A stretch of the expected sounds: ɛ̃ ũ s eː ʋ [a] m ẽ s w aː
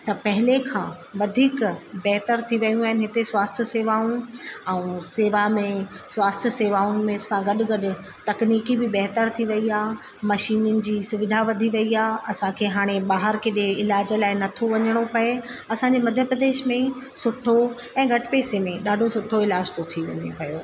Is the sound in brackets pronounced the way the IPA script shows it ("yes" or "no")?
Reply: yes